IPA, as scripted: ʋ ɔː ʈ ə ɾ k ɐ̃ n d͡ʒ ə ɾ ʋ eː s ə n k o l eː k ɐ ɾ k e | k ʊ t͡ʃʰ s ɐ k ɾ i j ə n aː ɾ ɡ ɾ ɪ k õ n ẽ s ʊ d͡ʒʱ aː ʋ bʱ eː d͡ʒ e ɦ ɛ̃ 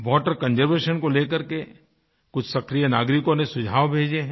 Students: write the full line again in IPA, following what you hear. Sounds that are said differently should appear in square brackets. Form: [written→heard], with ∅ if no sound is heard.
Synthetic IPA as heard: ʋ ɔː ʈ ə ɾ k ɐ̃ n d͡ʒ ə ɾ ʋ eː [s→ʃ] ə n k o l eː k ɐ ɾ k e | k ʊ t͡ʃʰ s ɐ k ɾ i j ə n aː [ɾ→∅] ɡ ɾ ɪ k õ n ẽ s ʊ d͡ʒʱ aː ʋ bʱ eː d͡ʒ e ɦ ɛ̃